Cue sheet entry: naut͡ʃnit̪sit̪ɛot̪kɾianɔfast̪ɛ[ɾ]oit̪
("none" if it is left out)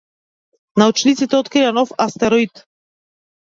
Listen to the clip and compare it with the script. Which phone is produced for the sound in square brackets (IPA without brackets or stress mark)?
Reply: ɾ